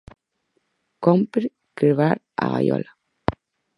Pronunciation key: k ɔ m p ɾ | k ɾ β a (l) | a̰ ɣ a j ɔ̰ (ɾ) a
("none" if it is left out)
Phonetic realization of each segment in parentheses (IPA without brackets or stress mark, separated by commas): ɾ, l